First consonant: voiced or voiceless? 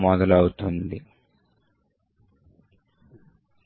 voiced